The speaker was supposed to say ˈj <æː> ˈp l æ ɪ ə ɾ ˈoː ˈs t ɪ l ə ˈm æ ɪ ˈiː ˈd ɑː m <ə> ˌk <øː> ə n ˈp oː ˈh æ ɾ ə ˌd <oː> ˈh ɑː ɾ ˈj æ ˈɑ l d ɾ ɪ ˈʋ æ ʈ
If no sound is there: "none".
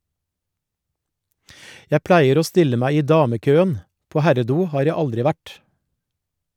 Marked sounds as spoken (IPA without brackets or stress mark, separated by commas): æ, ə, øː, uː